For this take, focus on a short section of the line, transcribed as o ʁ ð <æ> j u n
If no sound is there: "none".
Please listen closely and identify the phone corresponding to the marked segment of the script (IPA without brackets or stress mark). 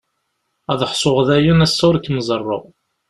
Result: æ